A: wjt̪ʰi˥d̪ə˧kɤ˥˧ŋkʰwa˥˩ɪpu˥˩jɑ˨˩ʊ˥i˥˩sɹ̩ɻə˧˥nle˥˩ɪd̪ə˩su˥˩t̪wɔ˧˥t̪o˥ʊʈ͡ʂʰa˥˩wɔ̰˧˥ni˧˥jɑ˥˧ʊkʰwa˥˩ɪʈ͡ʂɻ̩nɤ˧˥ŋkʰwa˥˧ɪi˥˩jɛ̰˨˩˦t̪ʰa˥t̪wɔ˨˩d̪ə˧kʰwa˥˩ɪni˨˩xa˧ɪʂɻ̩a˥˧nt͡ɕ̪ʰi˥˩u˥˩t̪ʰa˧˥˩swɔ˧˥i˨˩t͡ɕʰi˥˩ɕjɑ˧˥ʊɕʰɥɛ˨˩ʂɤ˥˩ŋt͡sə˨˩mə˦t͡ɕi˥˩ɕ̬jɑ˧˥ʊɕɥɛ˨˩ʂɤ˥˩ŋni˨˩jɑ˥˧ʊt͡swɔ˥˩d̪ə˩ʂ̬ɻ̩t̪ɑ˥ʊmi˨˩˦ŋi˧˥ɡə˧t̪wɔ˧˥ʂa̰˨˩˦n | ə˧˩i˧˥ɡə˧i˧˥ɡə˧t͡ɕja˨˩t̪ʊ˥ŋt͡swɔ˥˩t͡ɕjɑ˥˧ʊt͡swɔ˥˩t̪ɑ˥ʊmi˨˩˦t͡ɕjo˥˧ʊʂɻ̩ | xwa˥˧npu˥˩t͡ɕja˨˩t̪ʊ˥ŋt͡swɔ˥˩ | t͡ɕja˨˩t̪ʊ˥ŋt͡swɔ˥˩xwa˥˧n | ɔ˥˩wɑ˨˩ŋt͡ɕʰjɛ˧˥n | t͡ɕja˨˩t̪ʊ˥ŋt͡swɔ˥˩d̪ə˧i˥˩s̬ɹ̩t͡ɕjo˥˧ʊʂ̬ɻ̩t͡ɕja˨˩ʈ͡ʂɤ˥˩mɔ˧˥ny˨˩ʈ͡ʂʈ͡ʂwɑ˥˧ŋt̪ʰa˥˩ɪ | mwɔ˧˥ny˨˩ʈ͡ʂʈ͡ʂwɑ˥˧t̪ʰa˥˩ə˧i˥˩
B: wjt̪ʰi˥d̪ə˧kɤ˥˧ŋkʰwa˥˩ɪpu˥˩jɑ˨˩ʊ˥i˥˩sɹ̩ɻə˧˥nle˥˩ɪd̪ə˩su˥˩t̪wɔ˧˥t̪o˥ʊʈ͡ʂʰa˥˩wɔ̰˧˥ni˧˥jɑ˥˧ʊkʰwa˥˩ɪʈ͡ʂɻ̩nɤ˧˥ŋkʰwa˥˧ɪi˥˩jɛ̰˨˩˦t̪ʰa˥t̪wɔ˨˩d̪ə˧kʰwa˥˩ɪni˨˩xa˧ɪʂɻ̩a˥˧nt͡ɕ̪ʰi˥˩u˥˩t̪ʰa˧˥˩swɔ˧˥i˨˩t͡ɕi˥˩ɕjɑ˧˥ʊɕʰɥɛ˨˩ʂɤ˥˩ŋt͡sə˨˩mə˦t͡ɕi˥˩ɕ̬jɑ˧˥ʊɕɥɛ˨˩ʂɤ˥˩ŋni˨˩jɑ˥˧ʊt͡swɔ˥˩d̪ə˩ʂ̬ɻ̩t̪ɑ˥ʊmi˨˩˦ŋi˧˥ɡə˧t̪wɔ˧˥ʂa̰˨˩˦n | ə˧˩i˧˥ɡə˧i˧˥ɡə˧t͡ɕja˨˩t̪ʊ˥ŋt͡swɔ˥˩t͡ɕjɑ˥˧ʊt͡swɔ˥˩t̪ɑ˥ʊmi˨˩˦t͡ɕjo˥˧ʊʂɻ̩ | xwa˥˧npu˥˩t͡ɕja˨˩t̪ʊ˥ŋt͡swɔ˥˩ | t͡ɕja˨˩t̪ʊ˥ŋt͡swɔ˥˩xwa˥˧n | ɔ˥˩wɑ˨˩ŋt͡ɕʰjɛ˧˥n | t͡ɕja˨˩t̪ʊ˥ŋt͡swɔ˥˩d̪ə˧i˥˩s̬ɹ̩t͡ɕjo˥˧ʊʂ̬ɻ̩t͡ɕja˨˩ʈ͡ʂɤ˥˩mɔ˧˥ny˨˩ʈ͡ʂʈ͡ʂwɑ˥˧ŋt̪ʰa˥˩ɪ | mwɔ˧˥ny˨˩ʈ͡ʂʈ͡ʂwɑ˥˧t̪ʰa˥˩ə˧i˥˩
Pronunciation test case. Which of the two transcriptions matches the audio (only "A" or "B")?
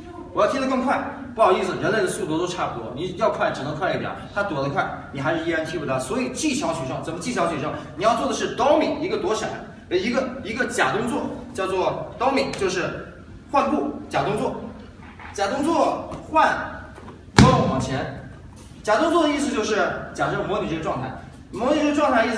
B